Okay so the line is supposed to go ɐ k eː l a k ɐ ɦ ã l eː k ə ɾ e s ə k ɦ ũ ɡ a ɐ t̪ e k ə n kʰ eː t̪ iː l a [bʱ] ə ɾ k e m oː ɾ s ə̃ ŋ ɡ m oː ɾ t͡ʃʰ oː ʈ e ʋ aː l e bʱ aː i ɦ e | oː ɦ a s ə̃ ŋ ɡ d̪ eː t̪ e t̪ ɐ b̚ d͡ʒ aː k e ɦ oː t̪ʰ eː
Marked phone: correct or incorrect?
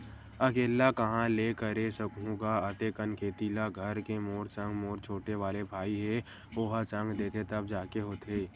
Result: incorrect